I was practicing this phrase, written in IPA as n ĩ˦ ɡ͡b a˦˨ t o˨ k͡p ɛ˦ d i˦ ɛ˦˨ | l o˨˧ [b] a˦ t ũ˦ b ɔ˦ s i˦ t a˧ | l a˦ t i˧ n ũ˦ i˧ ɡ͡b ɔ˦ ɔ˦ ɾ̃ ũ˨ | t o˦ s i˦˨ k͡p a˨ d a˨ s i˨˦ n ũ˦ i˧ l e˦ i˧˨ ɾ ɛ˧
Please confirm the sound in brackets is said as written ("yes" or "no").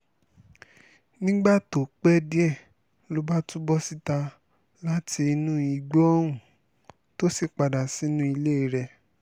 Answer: yes